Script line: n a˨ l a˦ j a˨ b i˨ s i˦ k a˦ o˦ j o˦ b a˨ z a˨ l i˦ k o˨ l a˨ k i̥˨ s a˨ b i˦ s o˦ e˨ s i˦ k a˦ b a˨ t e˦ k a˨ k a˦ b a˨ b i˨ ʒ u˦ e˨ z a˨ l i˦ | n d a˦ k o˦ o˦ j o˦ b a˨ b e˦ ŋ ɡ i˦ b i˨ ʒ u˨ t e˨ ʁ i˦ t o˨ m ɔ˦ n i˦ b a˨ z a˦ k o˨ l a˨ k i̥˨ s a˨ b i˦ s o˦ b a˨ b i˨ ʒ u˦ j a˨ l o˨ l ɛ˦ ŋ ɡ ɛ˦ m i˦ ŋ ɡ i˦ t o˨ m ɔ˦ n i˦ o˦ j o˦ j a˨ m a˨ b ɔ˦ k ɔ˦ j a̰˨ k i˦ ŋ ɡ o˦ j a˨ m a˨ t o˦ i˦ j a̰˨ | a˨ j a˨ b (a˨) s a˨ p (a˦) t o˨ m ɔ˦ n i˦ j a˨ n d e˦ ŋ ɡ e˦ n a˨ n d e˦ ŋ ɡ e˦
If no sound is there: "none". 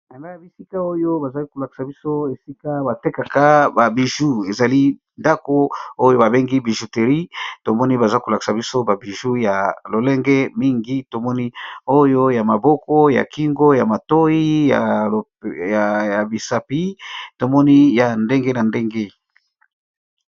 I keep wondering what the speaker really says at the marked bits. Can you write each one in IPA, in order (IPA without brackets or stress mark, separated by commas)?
i˨, i˦